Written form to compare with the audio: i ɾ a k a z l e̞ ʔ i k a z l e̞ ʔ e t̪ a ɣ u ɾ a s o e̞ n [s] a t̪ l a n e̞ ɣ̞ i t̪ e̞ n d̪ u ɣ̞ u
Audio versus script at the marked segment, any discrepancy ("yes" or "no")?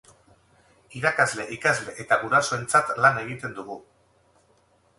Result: yes